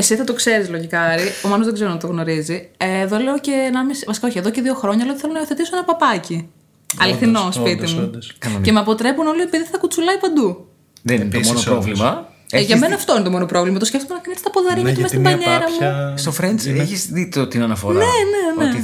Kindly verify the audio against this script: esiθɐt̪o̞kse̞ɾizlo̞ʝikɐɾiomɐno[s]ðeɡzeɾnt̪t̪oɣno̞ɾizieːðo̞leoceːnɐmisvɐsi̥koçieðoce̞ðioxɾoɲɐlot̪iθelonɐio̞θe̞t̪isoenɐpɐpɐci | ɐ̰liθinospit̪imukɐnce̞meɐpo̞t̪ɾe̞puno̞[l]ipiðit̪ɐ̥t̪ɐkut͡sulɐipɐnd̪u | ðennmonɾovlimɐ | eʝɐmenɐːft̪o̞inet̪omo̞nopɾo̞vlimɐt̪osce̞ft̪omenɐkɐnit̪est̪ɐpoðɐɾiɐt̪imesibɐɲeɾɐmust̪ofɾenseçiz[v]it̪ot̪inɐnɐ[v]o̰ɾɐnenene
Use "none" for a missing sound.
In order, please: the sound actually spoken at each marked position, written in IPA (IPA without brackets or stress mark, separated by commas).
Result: z, l, ð, f